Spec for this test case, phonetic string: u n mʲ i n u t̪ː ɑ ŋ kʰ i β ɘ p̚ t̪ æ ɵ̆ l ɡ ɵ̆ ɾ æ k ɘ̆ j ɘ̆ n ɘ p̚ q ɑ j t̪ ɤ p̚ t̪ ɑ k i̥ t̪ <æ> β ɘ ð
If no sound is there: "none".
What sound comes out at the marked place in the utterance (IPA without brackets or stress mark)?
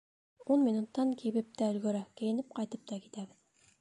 æ